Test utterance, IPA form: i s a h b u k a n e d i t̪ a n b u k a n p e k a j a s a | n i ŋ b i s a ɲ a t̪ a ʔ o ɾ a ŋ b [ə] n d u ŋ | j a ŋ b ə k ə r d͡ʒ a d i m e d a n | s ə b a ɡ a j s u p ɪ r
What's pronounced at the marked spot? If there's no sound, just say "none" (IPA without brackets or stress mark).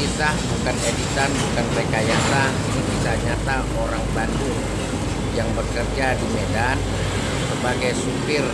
a